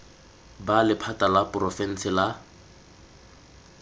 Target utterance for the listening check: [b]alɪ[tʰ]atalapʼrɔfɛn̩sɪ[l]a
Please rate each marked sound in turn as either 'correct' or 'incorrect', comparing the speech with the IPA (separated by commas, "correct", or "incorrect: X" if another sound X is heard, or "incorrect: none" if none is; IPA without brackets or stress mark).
correct, incorrect: pʰ, correct